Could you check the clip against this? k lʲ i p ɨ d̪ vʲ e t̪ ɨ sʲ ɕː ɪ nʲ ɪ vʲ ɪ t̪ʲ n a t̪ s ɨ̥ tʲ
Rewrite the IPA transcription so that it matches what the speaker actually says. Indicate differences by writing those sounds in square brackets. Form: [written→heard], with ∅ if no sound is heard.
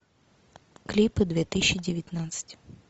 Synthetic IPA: k lʲ i p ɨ d̪ vʲ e t̪ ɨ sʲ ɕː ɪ [nʲ→dʲ] ɪ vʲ ɪ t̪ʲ n a t̪ s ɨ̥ tʲ